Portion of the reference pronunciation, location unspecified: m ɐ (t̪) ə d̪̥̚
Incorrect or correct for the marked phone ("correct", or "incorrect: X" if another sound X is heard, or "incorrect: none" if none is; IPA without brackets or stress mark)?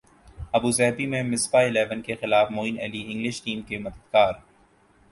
incorrect: d̪